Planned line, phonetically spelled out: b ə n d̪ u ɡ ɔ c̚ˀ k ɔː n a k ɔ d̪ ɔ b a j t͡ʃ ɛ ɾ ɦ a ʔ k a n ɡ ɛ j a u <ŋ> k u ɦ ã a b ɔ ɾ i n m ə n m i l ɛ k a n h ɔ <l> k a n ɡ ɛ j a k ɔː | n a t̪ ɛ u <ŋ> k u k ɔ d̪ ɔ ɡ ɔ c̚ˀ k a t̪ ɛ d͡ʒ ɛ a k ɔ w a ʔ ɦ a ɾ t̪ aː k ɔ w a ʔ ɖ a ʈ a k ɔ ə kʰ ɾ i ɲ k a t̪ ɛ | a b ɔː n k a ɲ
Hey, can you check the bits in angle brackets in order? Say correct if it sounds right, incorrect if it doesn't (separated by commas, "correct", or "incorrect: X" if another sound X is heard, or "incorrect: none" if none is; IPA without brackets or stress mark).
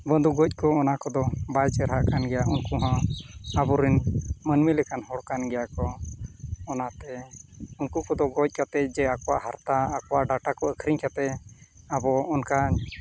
incorrect: n, incorrect: ɽ, incorrect: n